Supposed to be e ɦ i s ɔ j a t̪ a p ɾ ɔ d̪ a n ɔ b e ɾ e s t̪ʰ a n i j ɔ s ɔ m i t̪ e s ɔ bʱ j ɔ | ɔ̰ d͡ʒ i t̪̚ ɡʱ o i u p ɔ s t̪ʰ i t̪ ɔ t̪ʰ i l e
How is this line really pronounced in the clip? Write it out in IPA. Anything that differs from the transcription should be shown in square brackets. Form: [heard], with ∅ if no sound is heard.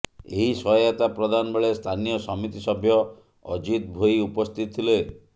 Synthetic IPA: e ɦ i s ɔ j a t̪ a p ɾ ɔ d̪ a n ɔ b e [ɭ] e s t̪ʰ a n i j ɔ s ɔ m i t̪ [i] s ɔ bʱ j ɔ | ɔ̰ d͡ʒ i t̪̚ [bʱ] o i u p ɔ s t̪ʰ i t̪ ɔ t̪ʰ i l e